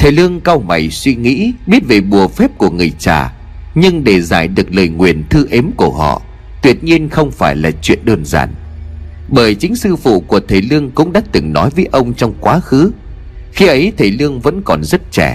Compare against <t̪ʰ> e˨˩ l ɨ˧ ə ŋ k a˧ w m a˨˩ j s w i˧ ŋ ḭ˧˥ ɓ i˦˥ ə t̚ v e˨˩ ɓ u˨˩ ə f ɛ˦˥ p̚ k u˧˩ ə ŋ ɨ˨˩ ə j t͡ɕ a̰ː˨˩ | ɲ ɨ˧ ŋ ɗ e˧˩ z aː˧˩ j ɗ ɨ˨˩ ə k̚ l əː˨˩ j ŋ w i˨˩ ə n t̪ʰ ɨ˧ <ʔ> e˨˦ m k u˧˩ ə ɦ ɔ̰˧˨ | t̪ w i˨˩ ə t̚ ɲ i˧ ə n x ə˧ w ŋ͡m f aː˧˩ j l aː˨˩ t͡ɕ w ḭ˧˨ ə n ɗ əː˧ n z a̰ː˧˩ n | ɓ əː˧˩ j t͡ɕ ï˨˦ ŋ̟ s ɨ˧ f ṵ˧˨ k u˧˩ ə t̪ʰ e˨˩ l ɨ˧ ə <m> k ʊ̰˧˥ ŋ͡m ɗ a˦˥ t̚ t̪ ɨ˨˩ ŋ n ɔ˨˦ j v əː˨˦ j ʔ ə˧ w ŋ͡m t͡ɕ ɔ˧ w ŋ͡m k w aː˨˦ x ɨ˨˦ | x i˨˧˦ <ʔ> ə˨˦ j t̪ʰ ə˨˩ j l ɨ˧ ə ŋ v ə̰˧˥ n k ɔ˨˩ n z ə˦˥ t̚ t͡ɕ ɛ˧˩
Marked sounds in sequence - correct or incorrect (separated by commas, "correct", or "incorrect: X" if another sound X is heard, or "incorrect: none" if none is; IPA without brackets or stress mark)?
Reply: correct, correct, incorrect: ŋ, correct